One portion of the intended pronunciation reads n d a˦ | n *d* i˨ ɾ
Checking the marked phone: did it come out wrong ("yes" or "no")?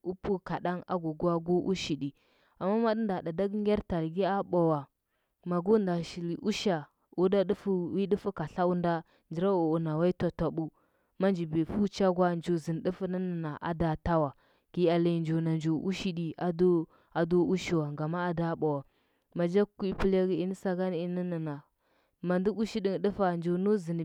yes